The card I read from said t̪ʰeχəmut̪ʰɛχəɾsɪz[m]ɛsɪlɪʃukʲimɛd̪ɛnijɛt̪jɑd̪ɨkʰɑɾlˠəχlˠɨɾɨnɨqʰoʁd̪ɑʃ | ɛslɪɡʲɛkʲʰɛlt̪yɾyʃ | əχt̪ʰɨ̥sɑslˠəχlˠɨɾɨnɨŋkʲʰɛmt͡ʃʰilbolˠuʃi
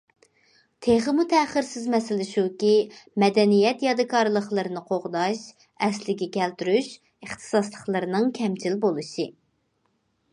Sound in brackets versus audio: correct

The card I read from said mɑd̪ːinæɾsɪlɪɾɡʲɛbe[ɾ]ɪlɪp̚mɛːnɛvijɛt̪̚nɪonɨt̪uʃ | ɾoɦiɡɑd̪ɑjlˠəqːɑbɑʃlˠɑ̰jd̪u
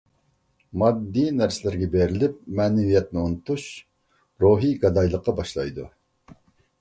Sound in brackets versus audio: correct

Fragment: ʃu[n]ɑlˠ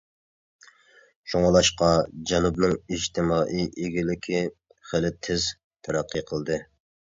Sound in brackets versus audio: incorrect: ŋ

